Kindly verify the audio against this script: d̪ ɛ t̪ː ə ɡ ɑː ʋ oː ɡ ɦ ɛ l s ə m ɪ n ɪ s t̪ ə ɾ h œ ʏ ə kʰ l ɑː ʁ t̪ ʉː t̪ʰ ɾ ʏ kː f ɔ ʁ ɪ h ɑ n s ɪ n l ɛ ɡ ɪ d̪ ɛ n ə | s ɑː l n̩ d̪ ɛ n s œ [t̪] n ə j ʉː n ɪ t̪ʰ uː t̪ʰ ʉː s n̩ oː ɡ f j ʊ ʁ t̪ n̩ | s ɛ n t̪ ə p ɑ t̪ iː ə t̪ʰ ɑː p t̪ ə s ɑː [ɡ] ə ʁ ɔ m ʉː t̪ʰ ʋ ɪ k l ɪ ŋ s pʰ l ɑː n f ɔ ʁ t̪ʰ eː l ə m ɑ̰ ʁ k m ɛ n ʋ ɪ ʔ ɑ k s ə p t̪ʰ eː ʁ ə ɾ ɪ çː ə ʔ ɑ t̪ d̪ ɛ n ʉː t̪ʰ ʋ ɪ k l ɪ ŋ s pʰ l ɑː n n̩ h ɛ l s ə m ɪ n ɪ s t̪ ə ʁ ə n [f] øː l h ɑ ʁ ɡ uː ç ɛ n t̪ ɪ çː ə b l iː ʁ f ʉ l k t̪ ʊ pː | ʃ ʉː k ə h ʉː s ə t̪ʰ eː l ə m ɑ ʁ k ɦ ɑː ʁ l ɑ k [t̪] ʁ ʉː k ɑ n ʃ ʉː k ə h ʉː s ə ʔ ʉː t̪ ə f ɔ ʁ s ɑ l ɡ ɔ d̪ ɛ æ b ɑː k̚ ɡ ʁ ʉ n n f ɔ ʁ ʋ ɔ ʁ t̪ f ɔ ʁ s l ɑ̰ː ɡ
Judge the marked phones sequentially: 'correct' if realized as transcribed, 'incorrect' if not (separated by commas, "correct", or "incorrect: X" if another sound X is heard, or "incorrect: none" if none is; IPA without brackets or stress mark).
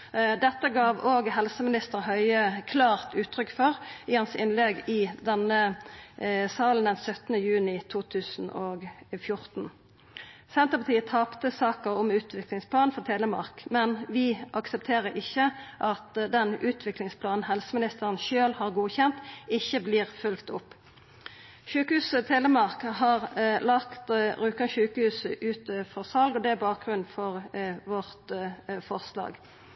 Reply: correct, incorrect: k, incorrect: ʃ, correct